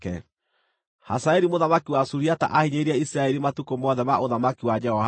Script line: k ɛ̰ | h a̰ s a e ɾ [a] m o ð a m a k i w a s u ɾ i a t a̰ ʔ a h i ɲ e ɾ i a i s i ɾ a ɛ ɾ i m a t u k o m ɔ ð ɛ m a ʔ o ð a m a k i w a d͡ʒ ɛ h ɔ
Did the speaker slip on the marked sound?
yes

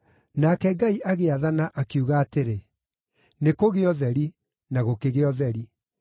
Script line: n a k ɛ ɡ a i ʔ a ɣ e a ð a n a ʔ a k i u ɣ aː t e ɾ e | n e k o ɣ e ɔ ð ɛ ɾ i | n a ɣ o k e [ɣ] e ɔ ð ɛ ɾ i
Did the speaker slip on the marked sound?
no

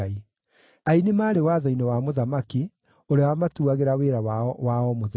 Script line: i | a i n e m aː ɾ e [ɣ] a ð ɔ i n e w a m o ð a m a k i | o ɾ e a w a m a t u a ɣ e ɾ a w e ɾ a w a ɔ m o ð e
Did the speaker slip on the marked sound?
yes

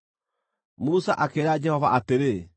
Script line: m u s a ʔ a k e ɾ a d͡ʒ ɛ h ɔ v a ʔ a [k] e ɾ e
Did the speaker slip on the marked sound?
yes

